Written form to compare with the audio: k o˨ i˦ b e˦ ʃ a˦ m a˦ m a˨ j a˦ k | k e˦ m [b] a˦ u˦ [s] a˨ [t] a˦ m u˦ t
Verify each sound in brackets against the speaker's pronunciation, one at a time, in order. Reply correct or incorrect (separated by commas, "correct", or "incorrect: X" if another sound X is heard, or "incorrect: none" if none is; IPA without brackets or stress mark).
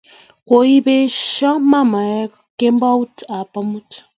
correct, incorrect: t, incorrect: p